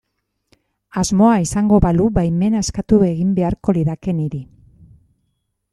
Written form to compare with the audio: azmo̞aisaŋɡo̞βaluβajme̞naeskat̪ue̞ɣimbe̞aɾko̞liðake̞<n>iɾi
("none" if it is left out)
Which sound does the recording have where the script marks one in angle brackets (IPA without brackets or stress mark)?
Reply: n